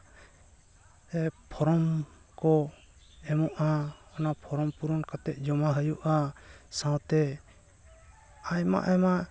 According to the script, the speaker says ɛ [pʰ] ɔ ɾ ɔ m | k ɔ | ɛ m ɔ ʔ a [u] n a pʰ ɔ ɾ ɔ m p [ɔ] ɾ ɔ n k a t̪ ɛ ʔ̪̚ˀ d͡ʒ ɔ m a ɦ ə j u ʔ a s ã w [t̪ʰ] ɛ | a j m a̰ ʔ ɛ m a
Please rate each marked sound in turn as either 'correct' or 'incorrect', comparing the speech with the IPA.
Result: correct, incorrect: ɔ, incorrect: u, incorrect: t̪

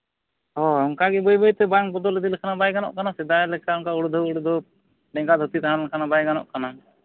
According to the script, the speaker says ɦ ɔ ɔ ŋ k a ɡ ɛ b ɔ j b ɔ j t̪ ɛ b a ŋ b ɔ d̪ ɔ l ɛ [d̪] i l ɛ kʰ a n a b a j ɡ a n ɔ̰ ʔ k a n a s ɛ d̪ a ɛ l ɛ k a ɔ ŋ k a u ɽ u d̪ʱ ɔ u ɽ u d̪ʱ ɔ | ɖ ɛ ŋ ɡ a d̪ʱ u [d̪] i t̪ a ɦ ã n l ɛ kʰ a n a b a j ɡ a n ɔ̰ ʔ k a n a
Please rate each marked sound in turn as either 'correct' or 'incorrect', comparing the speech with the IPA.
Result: correct, incorrect: t̪

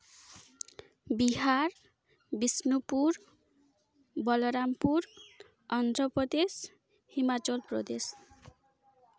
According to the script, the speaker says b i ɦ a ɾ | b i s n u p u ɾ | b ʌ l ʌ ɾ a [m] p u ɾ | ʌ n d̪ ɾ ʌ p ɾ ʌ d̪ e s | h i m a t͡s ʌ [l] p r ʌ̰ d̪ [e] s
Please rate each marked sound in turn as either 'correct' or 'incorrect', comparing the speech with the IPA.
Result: correct, correct, correct

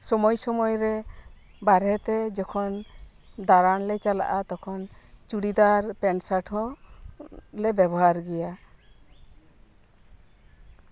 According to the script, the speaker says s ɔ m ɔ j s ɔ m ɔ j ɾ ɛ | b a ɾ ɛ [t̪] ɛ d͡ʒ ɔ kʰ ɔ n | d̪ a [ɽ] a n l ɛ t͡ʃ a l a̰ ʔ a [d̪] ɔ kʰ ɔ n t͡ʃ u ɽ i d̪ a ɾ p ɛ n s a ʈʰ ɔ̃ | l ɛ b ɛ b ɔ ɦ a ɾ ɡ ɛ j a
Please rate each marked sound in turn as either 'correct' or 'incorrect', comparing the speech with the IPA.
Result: correct, incorrect: ɾ, incorrect: t̪

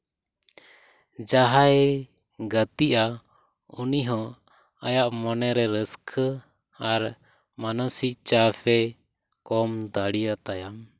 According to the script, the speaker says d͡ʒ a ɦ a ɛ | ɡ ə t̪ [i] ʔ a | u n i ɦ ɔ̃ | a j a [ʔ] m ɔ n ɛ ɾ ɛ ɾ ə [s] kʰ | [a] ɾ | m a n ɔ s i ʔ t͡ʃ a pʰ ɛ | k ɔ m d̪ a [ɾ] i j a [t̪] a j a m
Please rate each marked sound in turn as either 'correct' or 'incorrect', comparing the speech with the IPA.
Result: correct, correct, correct, correct, incorrect: ɽ, correct

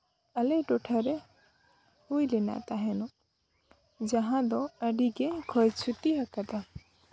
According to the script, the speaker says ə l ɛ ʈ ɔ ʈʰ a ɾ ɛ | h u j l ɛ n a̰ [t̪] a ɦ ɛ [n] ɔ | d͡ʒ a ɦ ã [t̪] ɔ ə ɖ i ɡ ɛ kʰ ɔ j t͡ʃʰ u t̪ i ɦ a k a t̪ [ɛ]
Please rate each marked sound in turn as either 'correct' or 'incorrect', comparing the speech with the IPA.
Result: correct, correct, incorrect: d̪, incorrect: a

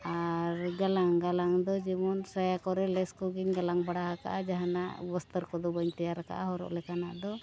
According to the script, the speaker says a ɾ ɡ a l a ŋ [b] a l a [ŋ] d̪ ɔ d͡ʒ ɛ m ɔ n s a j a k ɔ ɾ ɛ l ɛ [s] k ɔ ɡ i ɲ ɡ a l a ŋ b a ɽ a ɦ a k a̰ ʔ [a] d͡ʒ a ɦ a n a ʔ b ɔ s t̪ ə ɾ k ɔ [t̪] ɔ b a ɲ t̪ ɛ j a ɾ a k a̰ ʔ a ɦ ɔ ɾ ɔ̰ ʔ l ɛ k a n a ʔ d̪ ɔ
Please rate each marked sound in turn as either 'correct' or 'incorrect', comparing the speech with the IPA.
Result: incorrect: ɡ, correct, correct, correct, incorrect: d̪

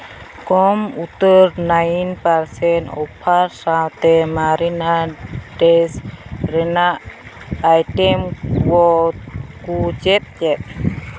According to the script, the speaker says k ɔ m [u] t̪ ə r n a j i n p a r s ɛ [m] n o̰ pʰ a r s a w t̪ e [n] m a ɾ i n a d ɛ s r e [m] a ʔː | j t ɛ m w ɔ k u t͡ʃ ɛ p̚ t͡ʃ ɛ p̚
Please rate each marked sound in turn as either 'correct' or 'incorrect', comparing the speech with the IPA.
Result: correct, incorrect: none, incorrect: none, incorrect: n

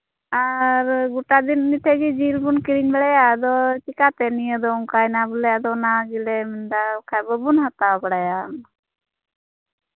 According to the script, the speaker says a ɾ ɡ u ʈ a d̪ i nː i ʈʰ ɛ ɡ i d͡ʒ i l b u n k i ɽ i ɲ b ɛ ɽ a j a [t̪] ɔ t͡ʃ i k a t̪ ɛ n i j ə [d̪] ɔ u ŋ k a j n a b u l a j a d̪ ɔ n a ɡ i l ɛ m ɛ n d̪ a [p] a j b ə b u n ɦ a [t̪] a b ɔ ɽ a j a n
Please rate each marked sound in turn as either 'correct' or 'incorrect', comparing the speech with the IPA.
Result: incorrect: d̪, correct, incorrect: k, correct

